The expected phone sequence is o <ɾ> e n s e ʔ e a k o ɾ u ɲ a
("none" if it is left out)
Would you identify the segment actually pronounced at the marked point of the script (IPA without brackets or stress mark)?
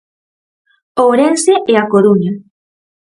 ɾ